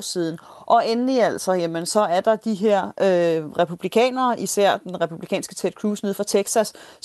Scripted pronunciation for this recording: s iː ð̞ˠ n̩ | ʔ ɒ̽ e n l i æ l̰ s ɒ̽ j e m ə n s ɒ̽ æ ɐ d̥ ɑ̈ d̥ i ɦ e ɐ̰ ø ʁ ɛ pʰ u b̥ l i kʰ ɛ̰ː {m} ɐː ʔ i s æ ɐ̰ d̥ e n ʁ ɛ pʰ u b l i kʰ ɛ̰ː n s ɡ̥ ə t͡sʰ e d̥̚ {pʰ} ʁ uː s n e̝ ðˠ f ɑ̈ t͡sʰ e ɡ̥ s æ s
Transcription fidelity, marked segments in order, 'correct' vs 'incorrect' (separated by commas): incorrect, incorrect